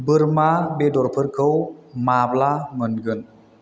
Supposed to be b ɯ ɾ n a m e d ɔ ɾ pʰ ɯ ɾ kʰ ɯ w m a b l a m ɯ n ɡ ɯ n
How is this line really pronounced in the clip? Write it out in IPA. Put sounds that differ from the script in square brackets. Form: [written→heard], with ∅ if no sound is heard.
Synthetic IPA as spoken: b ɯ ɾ [n→m] a [m→b] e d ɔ ɾ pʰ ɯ ɾ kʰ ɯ w m a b l a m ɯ n ɡ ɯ n